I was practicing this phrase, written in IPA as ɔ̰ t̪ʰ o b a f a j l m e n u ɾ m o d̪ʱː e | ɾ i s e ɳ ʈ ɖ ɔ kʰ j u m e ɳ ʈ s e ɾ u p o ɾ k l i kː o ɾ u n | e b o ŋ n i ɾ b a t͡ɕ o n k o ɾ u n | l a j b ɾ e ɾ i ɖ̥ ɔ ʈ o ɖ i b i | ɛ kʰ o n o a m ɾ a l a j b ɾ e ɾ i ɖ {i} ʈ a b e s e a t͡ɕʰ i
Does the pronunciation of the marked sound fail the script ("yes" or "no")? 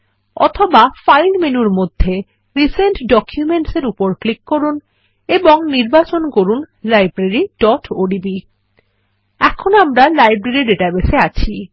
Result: yes